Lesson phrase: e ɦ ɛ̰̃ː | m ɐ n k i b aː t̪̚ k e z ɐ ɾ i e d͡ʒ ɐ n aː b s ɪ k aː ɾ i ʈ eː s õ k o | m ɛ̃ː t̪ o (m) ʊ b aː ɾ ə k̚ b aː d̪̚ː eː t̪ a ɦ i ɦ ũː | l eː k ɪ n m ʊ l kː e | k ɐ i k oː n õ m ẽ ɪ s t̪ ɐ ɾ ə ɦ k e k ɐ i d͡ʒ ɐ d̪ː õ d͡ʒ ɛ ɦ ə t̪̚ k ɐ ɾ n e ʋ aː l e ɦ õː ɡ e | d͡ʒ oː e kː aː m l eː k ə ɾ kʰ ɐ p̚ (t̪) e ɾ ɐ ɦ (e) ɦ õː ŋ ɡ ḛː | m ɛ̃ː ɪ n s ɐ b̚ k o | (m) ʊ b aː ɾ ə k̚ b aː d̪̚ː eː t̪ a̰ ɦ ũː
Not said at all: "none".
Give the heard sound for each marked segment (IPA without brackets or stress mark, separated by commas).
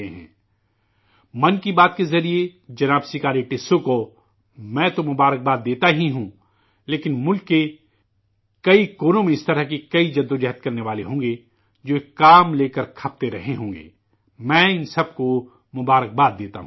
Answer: m, t̪, e, m